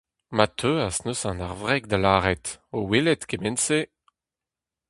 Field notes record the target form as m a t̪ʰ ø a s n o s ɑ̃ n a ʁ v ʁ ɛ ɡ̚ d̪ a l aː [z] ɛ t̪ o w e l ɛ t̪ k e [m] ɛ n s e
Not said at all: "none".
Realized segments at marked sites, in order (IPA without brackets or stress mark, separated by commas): ʁ, m